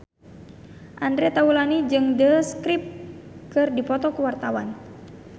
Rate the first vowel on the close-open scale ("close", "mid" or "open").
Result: open